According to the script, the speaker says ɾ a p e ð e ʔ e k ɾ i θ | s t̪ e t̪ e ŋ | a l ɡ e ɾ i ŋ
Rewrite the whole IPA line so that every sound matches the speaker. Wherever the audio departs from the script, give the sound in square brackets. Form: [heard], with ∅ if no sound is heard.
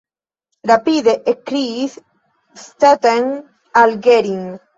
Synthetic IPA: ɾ a p [i] ð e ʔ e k ɾ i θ | s t̪ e t̪ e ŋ | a l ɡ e ɾ i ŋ